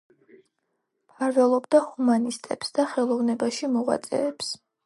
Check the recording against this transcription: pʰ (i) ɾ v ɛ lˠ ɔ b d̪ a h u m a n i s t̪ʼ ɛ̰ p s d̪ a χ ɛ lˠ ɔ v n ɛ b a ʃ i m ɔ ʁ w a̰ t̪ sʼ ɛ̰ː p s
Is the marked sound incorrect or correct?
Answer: incorrect